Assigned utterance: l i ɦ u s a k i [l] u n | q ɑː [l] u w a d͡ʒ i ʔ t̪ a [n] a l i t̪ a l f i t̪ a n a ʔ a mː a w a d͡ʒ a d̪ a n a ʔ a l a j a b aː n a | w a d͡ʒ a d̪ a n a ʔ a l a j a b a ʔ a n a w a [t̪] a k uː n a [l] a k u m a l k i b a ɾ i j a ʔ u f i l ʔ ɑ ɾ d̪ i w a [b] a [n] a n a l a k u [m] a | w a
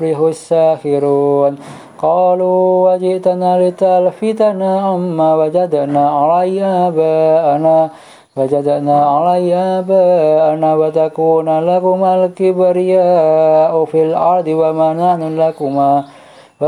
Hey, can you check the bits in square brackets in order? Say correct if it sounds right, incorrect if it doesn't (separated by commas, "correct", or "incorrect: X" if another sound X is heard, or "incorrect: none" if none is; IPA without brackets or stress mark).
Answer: incorrect: ɾ, correct, correct, correct, correct, incorrect: m, correct, correct